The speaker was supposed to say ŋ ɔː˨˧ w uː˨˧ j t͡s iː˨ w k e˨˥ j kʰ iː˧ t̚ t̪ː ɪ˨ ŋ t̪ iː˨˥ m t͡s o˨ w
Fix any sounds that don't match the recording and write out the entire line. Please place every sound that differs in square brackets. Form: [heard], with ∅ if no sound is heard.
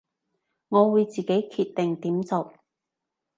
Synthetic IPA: ŋ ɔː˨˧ w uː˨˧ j t͡s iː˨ [∅] k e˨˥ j kʰ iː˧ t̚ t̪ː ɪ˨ ŋ t̪ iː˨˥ m t͡s o˨ w